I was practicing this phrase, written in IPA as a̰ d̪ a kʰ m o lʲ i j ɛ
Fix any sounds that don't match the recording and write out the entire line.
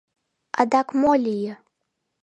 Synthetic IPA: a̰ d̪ a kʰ m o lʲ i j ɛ